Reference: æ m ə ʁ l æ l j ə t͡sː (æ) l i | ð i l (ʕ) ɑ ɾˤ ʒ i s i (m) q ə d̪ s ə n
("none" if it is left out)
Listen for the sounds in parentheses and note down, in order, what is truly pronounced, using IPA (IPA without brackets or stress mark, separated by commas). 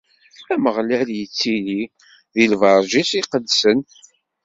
i, v, none